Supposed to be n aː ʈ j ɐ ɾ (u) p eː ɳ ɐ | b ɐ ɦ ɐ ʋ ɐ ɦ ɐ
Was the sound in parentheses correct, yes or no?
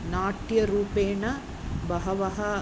no